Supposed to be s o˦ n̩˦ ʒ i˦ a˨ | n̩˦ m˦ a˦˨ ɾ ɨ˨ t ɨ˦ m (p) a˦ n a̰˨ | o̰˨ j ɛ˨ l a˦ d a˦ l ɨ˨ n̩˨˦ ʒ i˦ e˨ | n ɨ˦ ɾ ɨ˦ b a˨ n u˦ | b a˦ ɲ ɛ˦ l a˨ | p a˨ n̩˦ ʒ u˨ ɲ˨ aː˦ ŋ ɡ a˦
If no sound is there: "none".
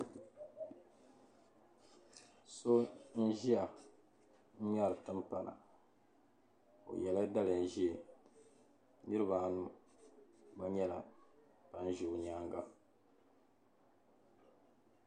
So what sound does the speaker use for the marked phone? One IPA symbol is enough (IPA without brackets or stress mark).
p